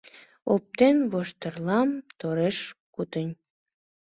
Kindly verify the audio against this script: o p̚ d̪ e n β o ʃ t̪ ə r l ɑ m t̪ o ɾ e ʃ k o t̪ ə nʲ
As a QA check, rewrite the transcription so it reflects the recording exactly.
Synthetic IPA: o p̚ t̪ e n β o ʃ t̪ ə r l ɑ m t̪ o ɾ e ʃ k u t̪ ə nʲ